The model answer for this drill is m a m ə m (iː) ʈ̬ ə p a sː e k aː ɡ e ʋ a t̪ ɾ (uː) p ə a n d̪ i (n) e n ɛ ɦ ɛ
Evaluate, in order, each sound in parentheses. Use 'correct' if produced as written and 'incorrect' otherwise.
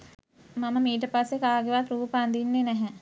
correct, correct, incorrect: nː

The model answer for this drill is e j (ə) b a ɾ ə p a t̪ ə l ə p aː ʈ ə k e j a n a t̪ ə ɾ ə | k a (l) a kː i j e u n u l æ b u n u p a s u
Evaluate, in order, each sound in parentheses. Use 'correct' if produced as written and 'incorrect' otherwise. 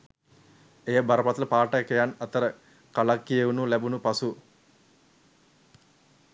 correct, correct

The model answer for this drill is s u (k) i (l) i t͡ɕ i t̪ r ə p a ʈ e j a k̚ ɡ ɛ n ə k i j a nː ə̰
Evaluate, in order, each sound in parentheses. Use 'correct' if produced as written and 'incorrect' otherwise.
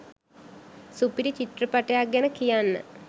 incorrect: p, incorrect: ɾ

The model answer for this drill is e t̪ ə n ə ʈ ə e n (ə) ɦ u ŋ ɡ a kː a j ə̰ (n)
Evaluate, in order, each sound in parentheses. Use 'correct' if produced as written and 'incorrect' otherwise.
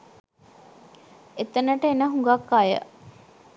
correct, incorrect: none

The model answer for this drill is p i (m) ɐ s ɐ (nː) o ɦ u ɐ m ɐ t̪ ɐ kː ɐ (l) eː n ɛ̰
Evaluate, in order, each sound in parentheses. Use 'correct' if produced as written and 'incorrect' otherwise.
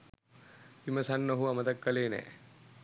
correct, correct, correct

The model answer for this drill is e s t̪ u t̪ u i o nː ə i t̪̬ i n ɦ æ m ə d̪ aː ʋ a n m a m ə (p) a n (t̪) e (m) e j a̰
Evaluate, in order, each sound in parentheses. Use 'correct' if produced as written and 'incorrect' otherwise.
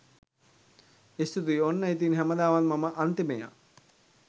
incorrect: ʔ, correct, correct

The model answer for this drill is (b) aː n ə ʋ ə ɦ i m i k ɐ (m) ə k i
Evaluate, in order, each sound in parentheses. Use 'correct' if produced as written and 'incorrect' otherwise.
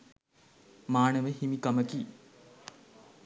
incorrect: m, correct

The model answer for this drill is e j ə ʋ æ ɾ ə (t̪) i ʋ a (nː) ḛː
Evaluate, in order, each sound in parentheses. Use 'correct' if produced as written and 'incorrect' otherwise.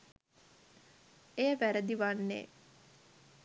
incorrect: d̪, correct

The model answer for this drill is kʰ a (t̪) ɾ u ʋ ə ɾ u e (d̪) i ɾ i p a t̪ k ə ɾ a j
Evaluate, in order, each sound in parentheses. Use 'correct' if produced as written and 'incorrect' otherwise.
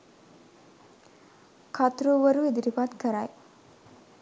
correct, correct

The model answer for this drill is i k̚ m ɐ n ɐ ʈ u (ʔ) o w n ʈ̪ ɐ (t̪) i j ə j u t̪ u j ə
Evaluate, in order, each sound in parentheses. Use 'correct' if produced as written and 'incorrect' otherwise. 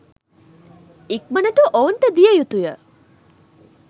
correct, incorrect: d̪

